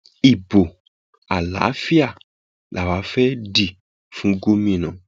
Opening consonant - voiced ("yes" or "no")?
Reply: yes